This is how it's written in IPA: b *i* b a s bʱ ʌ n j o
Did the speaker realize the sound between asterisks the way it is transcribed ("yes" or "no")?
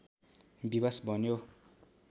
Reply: yes